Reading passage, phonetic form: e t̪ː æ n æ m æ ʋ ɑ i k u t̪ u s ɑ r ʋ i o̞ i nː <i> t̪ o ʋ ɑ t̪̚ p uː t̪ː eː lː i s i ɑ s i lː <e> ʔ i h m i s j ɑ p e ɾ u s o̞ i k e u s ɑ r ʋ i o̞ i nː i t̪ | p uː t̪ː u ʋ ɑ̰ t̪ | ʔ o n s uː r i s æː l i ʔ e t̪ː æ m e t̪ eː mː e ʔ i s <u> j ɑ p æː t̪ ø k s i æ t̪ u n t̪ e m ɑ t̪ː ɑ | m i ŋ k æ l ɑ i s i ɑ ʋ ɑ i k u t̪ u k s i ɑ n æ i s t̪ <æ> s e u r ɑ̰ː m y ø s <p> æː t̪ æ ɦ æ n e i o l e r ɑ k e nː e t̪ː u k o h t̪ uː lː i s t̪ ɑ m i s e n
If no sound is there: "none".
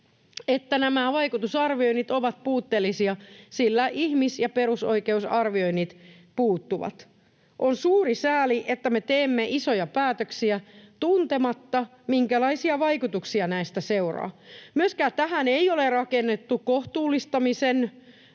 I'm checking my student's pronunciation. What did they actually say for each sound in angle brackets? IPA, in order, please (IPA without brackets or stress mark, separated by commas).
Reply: i, æ, o, æ, k